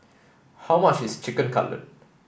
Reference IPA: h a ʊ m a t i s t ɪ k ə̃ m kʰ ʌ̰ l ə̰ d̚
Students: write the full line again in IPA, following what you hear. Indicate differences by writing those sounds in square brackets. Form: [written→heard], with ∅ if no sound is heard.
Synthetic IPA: h a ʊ m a [t→t͡ʃ] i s [t→t͡ʃ] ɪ k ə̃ [m→n] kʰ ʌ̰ l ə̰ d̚